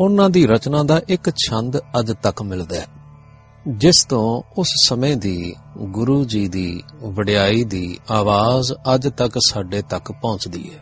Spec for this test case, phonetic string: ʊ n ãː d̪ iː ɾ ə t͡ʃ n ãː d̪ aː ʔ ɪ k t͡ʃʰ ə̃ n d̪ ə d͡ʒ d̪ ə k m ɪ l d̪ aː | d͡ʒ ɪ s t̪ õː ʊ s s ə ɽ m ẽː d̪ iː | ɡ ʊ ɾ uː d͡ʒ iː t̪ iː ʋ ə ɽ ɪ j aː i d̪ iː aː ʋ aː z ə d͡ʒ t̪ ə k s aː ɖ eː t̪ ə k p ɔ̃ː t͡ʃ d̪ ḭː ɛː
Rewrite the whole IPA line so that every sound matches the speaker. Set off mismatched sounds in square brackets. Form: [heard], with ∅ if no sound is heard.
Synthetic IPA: ʊ n ãː d̪ iː ɾ ə t͡ʃ n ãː d̪ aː ʔ ɪ k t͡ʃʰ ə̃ n d̪ ə d͡ʒ [t̪] ə k m ɪ l d̪ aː | d͡ʒ ɪ s t̪ õː ʊ s s ə [∅] m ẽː d̪ iː | ɡ ʊ ɾ uː d͡ʒ iː [d̪] iː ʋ ə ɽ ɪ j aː [iː] d̪ iː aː ʋ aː z ə d͡ʒ t̪ ə k s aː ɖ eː t̪ ə k p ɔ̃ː t͡ʃ d̪ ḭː ɛː